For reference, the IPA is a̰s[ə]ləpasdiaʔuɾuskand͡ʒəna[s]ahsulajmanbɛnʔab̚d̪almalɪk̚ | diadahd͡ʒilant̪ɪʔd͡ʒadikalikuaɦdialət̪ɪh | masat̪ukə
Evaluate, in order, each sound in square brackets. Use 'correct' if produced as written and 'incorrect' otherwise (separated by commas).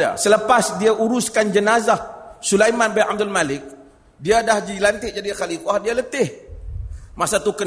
correct, incorrect